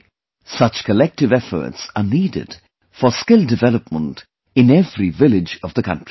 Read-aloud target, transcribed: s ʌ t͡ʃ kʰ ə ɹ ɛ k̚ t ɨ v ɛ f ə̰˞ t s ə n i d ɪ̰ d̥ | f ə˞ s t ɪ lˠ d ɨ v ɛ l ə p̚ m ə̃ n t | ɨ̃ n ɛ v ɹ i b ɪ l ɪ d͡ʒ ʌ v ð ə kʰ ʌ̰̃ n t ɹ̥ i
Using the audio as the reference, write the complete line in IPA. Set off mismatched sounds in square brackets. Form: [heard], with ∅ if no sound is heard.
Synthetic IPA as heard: s ʌ t͡ʃ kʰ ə [l] ɛ k̚ t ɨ v ɛ f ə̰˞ t s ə n i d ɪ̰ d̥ | f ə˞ s [k] ɪ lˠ d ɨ v ɛ l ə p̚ m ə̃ n t | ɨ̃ n ɛ v ɹ i [v] ɪ l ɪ d͡ʒ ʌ v ð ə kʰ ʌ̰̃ n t ɹ̥ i

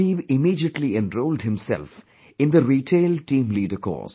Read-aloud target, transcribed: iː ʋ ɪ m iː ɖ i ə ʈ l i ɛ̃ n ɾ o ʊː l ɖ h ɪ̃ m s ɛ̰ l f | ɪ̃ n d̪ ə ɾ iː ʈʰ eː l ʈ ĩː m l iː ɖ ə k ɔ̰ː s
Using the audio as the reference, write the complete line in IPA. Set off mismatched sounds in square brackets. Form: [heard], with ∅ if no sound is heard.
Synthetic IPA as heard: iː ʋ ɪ m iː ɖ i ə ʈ l i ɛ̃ n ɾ o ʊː l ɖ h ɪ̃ m s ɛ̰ l f | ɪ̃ n d̪ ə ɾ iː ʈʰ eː l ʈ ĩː m l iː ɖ ə k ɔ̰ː s

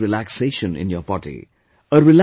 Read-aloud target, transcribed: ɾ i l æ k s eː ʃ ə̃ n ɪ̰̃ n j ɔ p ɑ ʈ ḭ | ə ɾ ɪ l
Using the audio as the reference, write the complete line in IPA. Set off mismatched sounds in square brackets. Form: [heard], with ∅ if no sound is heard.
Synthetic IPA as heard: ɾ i l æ k s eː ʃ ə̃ n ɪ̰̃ n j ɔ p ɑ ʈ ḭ | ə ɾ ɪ l

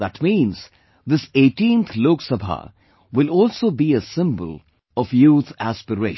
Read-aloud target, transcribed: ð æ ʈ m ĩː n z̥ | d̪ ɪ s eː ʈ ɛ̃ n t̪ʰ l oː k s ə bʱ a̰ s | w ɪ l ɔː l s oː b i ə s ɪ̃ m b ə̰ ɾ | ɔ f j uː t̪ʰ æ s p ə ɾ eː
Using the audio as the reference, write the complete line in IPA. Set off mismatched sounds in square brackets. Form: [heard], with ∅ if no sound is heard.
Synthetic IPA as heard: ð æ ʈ m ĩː n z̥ | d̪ ɪ s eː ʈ [ĩ] n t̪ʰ l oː k s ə bʱ a̰ [∅] | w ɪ l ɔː l s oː b i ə s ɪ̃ m b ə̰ [l] | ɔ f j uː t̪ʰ æ s p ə ɾ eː

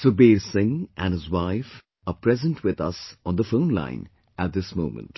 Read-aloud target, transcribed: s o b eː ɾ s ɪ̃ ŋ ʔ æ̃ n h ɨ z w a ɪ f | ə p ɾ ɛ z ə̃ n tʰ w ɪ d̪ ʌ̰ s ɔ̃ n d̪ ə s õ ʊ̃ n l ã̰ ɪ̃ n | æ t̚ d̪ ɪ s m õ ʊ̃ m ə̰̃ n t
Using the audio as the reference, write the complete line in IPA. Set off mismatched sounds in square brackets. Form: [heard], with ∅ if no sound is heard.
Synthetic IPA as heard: s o b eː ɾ s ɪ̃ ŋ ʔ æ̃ n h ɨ z w a ɪ f | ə p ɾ ɛ z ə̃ n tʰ w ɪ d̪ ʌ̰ s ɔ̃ n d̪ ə [f] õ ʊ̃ n l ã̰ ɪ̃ n | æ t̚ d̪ ɪ s m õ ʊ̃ m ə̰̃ n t

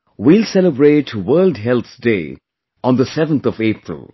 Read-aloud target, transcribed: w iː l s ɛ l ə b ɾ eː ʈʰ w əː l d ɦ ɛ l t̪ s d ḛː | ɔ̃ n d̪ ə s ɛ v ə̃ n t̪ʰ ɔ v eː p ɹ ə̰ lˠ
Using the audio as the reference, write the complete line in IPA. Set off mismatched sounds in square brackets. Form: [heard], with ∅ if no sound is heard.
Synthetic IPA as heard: w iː l s ɛ l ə b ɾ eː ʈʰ w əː l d ɦ ɛ l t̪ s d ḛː | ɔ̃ n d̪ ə s ɛ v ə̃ n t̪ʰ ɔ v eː p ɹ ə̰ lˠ

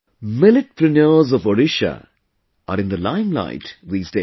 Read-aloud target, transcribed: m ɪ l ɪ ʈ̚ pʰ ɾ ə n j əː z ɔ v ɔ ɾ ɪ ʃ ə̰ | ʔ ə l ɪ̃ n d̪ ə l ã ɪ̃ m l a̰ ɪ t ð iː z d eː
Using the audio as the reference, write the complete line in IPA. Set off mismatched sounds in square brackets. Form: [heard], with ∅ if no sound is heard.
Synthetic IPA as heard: m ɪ l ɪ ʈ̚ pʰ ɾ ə n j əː z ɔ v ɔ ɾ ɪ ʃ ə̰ | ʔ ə [ɾ] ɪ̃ n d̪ ə l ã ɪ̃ m l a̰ ɪ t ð iː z d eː

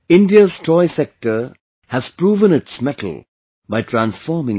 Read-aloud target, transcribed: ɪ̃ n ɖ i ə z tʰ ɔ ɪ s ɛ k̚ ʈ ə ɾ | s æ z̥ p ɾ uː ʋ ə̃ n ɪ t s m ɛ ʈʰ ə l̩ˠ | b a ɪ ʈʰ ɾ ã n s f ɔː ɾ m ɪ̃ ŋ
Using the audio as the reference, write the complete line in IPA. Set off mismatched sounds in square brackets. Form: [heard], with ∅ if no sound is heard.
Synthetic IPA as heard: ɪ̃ n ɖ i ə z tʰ ɔ ɪ s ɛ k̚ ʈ ə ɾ | [h] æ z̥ p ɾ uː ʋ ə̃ n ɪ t s m ɛ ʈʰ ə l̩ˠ | b a ɪ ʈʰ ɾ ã n s f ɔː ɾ m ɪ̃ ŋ

